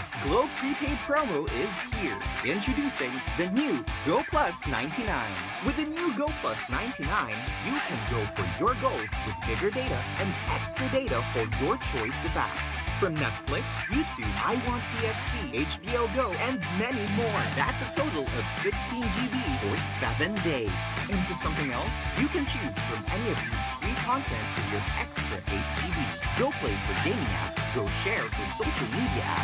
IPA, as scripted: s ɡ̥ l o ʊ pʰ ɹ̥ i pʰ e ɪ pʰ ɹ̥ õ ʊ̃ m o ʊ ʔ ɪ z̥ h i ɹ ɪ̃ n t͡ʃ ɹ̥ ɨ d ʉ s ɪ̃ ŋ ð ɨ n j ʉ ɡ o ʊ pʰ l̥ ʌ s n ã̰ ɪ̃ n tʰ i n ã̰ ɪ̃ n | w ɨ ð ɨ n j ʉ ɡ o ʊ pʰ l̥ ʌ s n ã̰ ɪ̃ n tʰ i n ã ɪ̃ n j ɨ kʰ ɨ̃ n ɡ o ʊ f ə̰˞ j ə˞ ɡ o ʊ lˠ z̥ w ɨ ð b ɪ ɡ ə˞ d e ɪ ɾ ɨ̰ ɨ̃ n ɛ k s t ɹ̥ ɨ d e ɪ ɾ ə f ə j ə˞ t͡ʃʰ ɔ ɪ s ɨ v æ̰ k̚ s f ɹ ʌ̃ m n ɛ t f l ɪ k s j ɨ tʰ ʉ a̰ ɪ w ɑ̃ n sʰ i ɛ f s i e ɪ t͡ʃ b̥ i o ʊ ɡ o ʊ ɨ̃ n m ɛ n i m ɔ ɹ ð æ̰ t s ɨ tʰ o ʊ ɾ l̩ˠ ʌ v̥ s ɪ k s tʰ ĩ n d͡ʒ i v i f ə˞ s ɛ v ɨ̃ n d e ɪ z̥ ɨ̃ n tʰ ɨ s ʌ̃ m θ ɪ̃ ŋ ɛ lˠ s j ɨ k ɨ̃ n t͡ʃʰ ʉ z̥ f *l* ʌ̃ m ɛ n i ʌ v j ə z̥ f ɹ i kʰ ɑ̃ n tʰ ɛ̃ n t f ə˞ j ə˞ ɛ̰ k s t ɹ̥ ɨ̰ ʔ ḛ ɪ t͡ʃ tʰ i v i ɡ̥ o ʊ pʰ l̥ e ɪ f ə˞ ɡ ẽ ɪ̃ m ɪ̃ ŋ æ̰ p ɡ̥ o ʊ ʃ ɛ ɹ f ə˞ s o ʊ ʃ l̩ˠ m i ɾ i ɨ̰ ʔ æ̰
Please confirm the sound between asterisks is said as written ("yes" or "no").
no